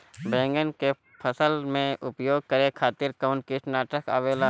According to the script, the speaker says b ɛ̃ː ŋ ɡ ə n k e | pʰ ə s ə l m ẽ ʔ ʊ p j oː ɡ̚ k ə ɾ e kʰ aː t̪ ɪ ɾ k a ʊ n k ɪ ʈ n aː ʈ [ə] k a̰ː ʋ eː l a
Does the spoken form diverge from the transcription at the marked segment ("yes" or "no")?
no